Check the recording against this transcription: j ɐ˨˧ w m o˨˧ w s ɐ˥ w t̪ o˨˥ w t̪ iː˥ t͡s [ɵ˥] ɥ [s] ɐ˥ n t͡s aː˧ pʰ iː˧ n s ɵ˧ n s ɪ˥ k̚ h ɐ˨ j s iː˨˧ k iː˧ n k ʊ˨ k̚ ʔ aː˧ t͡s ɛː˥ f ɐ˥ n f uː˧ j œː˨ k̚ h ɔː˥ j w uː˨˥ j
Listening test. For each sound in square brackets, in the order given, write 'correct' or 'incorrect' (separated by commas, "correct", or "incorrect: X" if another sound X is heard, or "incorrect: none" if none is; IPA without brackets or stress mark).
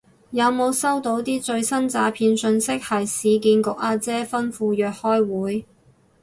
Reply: incorrect: ɵ˧, correct